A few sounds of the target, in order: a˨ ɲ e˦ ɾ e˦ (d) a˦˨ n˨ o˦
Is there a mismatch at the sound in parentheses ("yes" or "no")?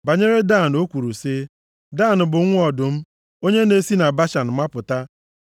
no